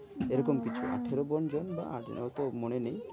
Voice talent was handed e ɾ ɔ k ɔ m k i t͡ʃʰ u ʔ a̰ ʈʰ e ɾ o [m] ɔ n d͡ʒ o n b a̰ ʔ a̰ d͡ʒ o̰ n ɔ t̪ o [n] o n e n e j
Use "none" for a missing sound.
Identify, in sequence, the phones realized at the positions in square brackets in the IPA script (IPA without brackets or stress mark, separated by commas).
b, m